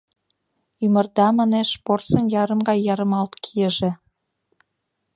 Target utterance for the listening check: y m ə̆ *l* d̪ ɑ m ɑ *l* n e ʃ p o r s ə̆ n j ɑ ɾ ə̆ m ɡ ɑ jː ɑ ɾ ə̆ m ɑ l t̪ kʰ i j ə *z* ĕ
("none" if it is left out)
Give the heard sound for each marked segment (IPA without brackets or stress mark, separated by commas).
r, none, ʒ